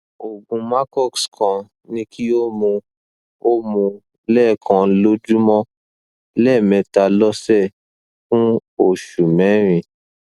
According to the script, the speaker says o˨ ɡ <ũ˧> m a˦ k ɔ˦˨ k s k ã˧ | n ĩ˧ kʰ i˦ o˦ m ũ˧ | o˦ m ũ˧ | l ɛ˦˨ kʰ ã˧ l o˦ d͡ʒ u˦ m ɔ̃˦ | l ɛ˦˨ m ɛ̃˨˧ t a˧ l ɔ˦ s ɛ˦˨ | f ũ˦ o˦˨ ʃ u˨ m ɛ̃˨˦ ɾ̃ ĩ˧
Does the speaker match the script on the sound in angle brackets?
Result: yes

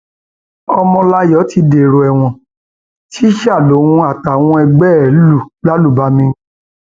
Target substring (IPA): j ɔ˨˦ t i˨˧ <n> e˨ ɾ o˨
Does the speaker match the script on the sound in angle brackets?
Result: no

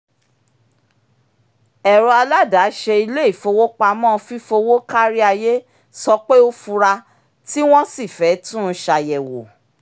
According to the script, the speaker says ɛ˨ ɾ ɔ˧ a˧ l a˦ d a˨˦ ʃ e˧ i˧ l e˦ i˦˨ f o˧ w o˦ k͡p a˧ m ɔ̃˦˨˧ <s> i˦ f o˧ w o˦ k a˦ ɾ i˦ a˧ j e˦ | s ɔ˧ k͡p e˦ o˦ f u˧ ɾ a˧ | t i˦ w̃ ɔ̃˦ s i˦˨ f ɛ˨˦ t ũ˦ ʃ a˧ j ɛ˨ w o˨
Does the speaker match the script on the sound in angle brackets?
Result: no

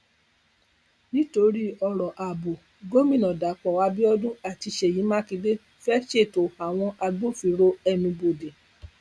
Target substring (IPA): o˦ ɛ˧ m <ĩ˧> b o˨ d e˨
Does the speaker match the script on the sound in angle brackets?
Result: yes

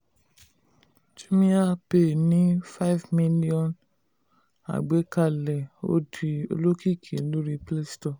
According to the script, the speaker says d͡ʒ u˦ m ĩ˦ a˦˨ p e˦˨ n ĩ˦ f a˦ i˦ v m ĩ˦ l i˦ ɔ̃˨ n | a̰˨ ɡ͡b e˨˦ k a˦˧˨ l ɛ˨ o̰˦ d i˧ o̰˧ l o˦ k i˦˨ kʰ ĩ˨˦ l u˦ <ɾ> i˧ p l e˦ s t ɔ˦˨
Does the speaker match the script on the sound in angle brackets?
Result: yes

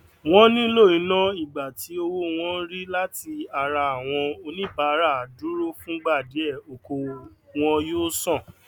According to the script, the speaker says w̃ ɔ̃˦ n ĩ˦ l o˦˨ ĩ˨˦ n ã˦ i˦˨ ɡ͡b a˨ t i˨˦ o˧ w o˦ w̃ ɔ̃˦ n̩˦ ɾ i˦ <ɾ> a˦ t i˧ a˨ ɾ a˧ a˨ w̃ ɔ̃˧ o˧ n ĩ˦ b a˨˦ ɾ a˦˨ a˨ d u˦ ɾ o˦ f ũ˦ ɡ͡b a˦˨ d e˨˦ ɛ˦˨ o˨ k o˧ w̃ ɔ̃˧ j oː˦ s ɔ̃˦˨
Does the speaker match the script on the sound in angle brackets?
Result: no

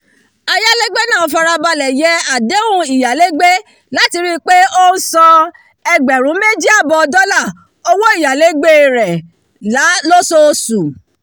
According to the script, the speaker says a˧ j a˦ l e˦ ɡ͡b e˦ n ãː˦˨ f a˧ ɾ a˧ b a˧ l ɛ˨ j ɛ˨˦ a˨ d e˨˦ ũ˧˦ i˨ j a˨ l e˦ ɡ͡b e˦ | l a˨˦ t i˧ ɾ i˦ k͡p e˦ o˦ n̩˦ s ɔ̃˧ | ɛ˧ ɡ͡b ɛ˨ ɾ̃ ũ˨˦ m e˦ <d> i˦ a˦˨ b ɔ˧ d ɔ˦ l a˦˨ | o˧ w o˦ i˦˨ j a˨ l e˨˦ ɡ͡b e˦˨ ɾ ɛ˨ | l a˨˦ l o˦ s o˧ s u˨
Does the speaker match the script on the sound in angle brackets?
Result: no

